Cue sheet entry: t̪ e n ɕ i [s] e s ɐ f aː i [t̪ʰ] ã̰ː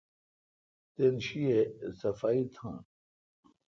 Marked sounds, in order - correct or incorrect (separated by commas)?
incorrect, correct